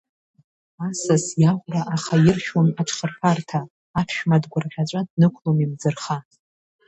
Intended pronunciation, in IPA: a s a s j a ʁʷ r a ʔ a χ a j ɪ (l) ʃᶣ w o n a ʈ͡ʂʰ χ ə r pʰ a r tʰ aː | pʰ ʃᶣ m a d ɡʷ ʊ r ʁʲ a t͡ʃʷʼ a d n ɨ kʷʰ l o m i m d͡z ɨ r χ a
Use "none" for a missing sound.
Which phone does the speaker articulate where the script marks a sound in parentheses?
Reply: r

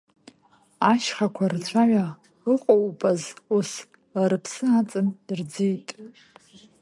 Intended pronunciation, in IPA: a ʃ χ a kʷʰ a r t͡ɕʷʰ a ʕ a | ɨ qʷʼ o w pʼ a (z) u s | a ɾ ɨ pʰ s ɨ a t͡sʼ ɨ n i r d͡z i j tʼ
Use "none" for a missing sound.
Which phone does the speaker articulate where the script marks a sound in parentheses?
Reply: z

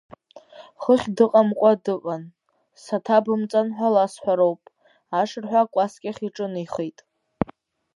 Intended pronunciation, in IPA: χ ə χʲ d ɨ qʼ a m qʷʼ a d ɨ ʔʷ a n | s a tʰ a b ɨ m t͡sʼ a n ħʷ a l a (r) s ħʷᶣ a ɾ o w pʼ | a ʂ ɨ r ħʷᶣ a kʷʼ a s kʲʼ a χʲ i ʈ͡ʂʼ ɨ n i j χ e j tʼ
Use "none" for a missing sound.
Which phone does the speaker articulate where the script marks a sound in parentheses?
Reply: none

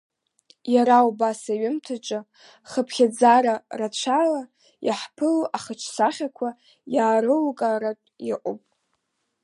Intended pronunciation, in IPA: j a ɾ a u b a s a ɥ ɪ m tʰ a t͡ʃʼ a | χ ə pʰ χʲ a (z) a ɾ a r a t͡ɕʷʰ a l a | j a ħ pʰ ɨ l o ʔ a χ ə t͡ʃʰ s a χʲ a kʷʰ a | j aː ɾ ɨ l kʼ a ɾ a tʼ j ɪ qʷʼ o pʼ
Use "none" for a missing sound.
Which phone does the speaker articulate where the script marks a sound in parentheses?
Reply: d͡z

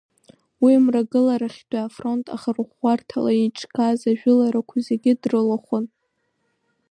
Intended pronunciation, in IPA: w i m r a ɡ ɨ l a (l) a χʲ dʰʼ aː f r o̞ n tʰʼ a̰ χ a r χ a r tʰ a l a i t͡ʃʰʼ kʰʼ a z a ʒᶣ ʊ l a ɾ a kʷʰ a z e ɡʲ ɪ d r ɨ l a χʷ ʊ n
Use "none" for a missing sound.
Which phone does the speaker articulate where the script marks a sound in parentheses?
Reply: ɾ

